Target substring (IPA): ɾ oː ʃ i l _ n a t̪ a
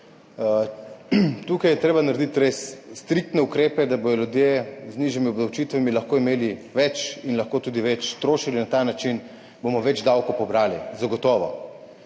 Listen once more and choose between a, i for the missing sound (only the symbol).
i